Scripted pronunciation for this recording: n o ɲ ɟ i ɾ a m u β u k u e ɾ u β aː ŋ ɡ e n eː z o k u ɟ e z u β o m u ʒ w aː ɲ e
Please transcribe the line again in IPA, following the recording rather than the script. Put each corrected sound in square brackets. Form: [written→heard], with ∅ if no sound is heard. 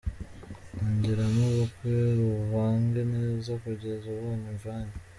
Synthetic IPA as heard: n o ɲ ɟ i ɾ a m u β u k [u→w] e ɾ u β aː ŋ ɡ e n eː z o k u ɟ e z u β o m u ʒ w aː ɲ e